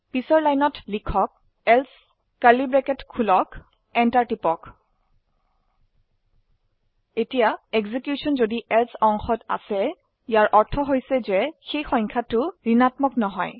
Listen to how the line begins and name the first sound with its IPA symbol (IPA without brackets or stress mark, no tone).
p